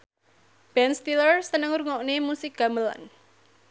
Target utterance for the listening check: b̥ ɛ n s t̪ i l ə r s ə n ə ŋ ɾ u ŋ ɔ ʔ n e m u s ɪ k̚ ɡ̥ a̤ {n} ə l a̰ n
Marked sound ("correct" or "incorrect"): incorrect